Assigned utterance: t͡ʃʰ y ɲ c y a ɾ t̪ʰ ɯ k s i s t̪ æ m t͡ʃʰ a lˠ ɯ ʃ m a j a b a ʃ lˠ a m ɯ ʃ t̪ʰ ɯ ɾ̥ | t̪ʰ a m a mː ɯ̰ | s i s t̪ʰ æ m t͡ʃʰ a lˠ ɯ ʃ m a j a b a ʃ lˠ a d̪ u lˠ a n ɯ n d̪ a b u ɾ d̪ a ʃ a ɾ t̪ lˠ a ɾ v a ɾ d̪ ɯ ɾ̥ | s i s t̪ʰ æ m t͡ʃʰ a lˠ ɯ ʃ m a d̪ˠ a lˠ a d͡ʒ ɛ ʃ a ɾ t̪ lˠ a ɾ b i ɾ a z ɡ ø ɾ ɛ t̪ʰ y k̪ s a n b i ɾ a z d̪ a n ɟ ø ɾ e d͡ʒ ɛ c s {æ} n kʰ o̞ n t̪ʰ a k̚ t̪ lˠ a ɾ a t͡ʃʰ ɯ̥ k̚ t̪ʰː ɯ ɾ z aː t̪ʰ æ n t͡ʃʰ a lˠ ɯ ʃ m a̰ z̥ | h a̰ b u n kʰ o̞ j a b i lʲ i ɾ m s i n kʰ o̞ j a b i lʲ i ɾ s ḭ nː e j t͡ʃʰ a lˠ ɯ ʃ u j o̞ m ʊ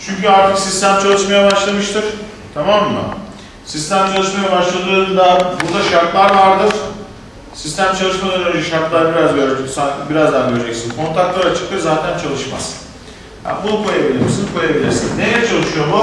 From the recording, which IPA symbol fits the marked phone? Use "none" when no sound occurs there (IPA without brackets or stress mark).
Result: i